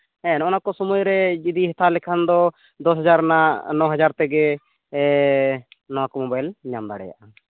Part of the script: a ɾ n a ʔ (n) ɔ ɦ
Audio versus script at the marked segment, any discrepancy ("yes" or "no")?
no